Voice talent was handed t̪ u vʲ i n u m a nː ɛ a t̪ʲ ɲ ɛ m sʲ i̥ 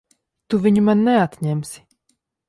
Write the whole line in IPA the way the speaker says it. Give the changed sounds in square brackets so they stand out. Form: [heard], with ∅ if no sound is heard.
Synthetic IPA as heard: t̪ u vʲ i [ɲ] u m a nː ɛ a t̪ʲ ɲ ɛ m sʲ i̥